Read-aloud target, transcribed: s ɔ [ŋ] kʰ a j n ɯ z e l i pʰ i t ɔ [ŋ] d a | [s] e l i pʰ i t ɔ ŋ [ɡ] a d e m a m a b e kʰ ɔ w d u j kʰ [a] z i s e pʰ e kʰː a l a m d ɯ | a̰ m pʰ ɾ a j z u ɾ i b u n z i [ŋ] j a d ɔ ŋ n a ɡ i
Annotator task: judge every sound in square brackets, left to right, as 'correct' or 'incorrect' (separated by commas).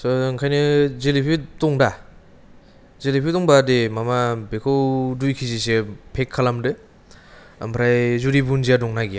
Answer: correct, correct, incorrect, incorrect, incorrect, incorrect